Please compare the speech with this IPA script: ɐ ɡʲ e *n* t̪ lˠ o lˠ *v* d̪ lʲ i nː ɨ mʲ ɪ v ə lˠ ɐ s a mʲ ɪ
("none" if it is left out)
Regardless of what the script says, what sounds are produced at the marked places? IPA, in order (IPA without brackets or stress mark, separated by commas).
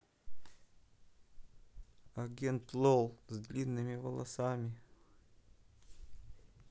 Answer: n, z